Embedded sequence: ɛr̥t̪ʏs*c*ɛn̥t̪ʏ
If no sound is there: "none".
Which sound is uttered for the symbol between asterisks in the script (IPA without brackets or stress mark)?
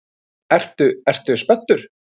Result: p